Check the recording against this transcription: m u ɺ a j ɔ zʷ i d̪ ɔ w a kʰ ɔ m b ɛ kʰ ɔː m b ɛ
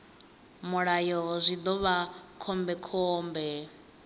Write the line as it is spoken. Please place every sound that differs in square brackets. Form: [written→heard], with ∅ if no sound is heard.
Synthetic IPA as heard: m u ɺ a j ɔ zʷ i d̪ ɔ [w→β] a kʰ ɔ m b ɛ kʰ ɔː m b ɛ